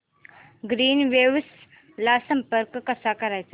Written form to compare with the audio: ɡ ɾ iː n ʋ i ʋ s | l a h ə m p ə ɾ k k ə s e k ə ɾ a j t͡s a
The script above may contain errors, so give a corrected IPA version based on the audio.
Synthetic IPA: ɡ ɾ iː n ʋ e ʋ s | l a s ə m p ə ɾ k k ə s a k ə ɾ a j t͡s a